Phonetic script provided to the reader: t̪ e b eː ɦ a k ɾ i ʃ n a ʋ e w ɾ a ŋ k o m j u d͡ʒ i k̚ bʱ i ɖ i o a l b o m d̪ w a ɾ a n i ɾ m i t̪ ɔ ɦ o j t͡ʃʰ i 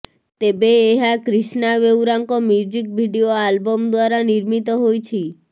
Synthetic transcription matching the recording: t̪ e b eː ɦ a k ɾ i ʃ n a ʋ e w ɾ a ŋ k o m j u d͡ʒ i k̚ bʱ i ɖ i o a l b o m d̪ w a ɾ a n i ɾ m i t̪ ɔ ɦ o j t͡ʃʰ i